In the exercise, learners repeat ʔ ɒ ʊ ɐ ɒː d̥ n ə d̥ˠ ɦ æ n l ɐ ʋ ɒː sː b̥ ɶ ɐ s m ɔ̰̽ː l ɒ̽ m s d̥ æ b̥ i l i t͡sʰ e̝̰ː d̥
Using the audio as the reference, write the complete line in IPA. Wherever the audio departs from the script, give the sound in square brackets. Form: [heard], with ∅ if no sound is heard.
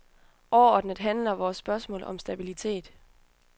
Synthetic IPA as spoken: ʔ ɒ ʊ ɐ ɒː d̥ n ə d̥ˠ ɦ æ n l ɐ ʋ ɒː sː b̥ ɶ ɐ s m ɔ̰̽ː l ɒ̽ m s d̥ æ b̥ i l i t͡sʰ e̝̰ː d̥